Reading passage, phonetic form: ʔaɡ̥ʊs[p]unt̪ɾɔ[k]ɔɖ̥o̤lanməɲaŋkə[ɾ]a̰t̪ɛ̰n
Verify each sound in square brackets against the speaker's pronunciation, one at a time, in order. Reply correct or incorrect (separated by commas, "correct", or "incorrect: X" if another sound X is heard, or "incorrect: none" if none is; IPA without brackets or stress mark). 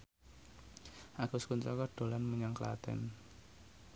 incorrect: k, correct, incorrect: l